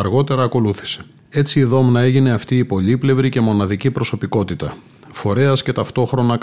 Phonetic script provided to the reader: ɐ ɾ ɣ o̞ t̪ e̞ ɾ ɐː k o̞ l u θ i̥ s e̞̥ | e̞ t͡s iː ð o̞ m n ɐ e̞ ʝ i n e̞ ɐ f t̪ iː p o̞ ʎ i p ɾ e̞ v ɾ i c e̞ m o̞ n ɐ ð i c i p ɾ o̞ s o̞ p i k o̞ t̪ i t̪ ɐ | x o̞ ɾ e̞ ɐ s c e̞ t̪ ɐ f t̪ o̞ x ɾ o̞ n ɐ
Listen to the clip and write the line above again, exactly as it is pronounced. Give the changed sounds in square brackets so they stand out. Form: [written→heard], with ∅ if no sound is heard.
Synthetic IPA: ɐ ɾ ɣ o̞ t̪ e̞ ɾ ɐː k o̞ l u θ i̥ s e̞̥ | e̞ t͡s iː ð o̞ m n ɐ e̞ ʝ i n e̞ ɐ f t̪ iː p o̞ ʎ i p [ɾ→l] e̞ v ɾ i c e̞ m o̞ n ɐ ð i c i p ɾ o̞ s o̞ p i k o̞ t̪ i t̪ ɐ | [x→f] o̞ ɾ e̞ ɐ s c e̞ t̪ ɐ f t̪ o̞ x ɾ o̞ n ɐ